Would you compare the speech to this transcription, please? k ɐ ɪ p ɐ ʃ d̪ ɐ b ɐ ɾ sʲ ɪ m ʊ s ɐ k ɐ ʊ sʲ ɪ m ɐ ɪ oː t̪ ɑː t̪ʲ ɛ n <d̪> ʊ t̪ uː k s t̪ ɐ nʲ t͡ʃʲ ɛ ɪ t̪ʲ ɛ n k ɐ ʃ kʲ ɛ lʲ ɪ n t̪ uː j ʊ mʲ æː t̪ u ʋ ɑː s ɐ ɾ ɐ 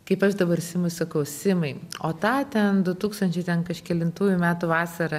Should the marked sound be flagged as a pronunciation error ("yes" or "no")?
no